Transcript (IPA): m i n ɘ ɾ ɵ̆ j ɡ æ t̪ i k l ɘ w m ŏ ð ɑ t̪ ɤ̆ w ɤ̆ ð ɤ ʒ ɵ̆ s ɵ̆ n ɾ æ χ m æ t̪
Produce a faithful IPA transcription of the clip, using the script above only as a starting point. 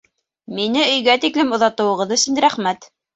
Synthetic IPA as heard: m i n ɘ ɵ̆ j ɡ æ t̪ i k l ɘ m ŏ ð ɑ t̪ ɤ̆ w ɤ̆ ʁ ɤ ð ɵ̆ s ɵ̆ n ɾ æ χ m æ t̪